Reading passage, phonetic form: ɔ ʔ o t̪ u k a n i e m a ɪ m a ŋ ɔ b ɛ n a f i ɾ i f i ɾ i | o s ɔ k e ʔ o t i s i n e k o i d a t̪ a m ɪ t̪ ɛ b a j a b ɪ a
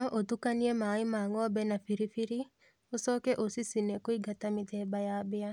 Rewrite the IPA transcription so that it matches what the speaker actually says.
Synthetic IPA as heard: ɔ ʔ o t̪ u k a n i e m a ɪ m a ŋ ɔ b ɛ n a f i ɾ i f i ɾ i | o s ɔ k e ʔ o s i s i n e k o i ɡ a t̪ a m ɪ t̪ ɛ b a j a b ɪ a